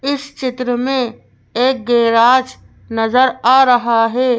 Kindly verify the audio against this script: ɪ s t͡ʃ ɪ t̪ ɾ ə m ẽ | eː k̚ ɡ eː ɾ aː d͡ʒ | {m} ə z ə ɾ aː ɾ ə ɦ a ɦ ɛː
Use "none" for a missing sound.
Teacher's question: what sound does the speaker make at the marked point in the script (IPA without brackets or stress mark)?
n